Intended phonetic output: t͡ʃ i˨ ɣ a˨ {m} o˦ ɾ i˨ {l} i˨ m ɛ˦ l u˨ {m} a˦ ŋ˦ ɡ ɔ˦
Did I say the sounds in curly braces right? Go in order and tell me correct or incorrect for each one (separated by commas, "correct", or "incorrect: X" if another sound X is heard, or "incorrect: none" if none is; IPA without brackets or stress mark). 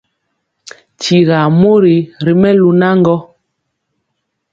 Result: correct, incorrect: ɾ, incorrect: n